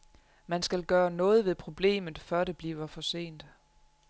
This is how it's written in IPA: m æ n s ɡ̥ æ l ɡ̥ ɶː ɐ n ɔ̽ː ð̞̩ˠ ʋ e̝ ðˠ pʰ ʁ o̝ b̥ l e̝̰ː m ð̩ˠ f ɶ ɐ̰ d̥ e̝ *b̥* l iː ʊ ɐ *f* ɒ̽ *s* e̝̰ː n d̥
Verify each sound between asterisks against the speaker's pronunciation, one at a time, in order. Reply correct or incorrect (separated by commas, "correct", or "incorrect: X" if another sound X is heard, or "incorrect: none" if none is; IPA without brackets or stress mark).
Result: correct, correct, correct